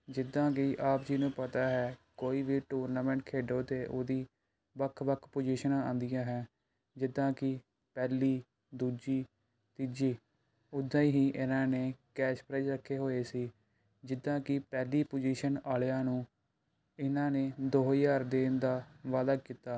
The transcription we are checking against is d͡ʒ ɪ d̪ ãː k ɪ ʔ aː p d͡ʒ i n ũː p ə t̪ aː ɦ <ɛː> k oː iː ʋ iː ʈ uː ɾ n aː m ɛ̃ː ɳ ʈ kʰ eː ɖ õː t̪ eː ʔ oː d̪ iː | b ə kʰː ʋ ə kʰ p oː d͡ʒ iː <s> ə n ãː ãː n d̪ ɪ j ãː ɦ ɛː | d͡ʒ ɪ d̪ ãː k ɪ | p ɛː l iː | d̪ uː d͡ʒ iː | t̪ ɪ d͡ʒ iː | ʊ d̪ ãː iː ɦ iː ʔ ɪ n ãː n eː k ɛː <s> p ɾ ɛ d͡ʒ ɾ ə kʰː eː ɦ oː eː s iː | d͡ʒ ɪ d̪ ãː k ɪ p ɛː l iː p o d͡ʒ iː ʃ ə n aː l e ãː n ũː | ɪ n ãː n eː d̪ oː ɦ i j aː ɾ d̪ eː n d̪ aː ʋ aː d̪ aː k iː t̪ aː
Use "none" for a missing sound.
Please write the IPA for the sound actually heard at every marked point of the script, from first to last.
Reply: ɛː, ʃ, ʃ

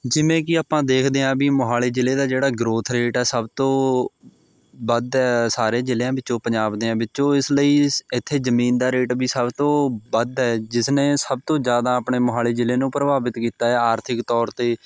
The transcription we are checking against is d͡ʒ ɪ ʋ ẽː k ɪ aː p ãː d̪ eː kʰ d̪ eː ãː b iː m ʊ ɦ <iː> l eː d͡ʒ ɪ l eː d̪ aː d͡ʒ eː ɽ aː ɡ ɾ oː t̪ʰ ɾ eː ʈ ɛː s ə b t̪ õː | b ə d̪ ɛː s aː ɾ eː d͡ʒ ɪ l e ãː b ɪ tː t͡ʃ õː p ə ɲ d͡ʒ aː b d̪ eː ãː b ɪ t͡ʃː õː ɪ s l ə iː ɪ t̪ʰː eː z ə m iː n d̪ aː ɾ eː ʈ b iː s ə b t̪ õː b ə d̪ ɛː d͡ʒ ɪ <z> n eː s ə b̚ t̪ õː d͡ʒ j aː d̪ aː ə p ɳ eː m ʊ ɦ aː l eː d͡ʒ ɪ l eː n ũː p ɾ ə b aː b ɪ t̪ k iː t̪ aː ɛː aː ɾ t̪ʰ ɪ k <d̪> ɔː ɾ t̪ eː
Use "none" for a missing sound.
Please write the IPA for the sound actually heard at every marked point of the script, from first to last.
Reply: aː, s, t̪

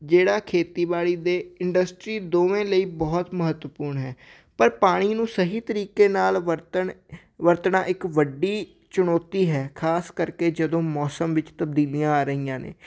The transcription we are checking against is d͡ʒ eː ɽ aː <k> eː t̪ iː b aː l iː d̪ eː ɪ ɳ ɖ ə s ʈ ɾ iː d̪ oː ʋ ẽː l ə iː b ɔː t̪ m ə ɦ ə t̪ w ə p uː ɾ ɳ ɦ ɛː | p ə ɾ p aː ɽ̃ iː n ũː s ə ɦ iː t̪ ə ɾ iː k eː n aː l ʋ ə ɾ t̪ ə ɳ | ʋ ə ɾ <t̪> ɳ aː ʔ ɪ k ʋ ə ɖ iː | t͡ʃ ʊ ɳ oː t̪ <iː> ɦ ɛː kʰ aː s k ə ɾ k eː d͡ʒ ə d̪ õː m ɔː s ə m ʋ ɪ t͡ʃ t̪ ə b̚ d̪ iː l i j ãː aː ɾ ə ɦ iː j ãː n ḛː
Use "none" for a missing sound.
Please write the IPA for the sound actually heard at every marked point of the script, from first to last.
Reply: kʰ, t̪, iː

